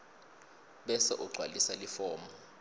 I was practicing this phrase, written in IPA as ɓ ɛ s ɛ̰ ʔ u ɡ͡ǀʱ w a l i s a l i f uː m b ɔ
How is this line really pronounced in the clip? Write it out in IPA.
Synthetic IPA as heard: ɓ ɛ s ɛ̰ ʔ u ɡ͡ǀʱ w a l i s a l i f ɔː m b ɔ